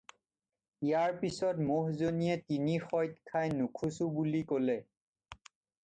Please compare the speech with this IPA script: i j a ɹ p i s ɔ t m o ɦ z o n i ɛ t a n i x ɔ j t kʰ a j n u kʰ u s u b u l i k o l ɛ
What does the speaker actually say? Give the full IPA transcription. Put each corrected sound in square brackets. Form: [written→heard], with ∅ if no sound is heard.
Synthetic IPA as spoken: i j a ɹ p i s ɔ t m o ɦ z o n i ɛ t [a→i] n i x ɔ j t kʰ a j n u kʰ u s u b u l i k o l ɛ

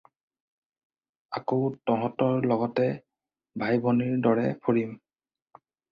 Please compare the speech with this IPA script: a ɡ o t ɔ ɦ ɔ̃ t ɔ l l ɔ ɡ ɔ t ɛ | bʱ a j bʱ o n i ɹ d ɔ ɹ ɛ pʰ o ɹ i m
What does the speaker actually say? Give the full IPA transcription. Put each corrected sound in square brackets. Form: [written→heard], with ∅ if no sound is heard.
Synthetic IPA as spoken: a [ɡ→k] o t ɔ ɦ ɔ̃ t ɔ [l→ɹ] l ɔ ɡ ɔ t ɛ | bʱ a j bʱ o n i ɹ d ɔ ɹ ɛ pʰ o ɹ i m

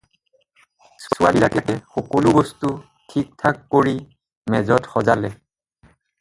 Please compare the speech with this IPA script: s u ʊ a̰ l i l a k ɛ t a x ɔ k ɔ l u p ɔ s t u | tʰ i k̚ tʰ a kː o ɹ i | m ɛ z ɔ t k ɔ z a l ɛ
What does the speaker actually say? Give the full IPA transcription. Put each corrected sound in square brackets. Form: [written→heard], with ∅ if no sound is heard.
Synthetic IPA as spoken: s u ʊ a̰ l i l a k ɛ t [a→ɛ] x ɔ k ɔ l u [p→b] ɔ s t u | tʰ i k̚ tʰ a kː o ɹ i | m ɛ z ɔ t [k→x] ɔ z a l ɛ

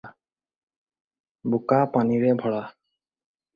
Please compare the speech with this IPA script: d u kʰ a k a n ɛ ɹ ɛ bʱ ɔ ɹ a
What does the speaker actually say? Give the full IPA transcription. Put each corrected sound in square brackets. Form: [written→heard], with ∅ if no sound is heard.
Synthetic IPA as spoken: [d→b] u [kʰ→k] a [k→p] a n [ɛ→i] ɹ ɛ bʱ ɔ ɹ a

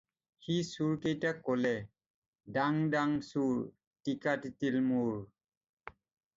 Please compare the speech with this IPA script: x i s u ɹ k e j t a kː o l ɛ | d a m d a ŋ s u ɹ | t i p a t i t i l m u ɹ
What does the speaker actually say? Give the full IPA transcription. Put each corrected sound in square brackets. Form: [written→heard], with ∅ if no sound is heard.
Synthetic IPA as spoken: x i s u ɹ k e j t a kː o l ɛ | d a [m→ŋ] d a ŋ s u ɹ | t i [p→k] a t i t i l m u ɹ

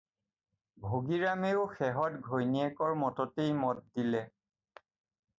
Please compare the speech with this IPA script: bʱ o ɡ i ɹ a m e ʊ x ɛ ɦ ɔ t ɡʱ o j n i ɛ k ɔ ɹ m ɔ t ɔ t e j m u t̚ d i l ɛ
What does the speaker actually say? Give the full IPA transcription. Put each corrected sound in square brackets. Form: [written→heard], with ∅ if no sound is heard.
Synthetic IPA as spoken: bʱ o ɡ i ɹ a m e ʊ x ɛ ɦ ɔ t ɡʱ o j n i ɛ k ɔ ɹ m ɔ t ɔ t e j m [u→ɔ] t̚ d i l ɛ

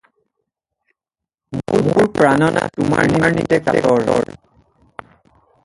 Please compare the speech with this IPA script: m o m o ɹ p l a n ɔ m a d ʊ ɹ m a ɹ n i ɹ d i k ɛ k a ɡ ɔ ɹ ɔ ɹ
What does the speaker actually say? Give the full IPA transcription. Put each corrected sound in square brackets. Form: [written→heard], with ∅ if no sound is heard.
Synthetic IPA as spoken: m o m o ɹ p [l→ɹ] a n ɔ [m→n] a [d→t] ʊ [ɹ→∅] m a ɹ n i ɹ [d→n] i [k→t] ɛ k a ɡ ɔ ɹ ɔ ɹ

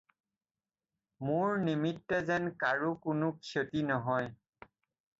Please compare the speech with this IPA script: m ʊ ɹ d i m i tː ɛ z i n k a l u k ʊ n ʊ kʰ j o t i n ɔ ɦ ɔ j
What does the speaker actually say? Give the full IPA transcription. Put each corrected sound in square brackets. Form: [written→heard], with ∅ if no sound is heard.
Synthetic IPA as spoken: m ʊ ɹ [d→n] i m i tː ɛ z [i→ɛ] n k a [l→ɹ] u k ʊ n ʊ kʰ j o t i n ɔ ɦ ɔ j

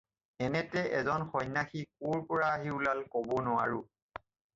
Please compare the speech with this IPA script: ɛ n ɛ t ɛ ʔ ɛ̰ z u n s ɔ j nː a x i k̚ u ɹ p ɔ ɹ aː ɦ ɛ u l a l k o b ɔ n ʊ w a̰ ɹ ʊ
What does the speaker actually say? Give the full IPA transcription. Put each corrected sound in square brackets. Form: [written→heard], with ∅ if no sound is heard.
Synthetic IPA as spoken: ɛ n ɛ t ɛ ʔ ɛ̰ z [u→ɔ] n [s→x] ɔ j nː a x i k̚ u ɹ p ɔ ɹ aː ɦ [ɛ→i] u l a l k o b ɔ n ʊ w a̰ ɹ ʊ

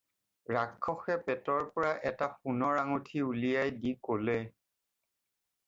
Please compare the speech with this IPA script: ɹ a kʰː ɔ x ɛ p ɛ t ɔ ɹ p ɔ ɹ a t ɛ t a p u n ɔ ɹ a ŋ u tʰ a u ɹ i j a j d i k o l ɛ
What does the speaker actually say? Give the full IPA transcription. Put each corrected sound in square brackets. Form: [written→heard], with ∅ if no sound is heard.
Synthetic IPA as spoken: ɹ a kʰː ɔ x ɛ p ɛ t ɔ ɹ p ɔ ɹ a [t→ʔ] ɛ t a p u n ɔ ɹ a ŋ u tʰ [a→i] u [ɹ→l] i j a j d i k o l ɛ

